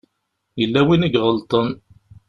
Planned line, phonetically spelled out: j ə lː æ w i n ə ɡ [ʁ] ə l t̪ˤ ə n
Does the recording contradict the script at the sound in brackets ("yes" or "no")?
no